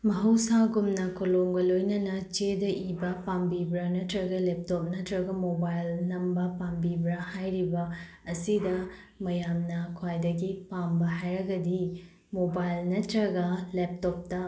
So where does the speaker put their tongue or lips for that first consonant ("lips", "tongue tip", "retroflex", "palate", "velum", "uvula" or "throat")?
lips